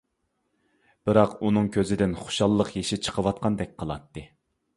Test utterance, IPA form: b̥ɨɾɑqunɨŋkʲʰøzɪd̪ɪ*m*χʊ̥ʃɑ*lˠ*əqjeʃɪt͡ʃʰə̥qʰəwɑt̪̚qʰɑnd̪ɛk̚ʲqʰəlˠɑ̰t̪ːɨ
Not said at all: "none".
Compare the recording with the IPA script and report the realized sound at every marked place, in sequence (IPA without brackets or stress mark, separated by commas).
n, lˠː